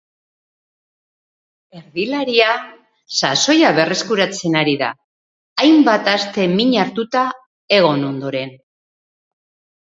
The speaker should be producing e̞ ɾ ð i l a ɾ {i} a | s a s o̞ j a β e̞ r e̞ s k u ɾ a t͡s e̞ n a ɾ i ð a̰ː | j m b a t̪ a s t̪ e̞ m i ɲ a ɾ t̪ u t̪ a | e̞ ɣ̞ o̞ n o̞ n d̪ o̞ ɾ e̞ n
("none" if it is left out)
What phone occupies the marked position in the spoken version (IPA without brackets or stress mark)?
i